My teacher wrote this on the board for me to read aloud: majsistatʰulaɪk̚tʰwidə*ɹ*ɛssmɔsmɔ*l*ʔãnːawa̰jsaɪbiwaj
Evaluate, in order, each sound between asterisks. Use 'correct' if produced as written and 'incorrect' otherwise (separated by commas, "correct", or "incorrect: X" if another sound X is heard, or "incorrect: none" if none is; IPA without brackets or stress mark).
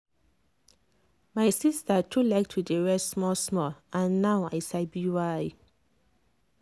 correct, correct